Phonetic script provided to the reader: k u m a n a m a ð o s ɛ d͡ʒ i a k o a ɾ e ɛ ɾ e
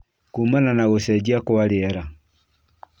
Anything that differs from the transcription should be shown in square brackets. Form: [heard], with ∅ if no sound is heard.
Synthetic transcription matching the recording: k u m a n a [n] a [ɣ] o s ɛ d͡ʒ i a k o a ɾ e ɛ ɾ [a]